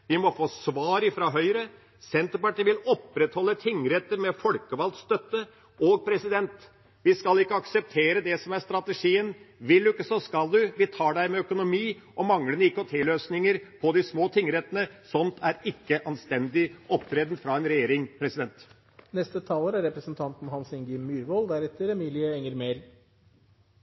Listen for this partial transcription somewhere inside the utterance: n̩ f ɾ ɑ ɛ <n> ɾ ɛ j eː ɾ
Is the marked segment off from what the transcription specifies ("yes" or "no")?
no